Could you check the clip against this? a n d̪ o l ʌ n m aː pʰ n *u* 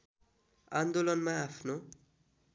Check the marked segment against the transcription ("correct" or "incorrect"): incorrect